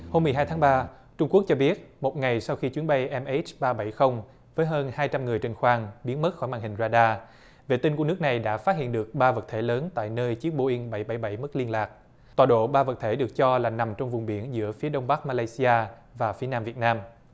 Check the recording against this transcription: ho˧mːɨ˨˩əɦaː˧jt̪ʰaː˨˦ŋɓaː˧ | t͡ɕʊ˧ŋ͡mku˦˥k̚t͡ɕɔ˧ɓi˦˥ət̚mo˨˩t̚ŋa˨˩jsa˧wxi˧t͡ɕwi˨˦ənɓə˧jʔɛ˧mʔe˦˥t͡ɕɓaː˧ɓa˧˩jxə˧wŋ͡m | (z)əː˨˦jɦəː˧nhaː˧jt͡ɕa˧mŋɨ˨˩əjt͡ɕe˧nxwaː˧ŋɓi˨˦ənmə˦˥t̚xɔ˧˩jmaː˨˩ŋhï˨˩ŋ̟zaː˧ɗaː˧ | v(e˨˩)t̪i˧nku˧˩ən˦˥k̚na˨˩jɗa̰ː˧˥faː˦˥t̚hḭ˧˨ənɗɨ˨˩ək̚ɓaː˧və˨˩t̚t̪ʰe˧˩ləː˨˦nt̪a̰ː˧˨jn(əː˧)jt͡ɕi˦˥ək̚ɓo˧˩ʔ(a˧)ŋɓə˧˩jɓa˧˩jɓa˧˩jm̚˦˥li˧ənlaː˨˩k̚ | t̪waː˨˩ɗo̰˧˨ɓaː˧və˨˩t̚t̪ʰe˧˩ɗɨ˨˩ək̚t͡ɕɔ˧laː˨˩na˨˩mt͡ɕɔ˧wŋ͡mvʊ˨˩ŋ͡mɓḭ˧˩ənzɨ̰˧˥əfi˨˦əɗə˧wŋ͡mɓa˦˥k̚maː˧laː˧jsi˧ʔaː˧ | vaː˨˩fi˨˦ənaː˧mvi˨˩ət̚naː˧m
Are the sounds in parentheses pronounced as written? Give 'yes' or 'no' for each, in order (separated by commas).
no, yes, yes, no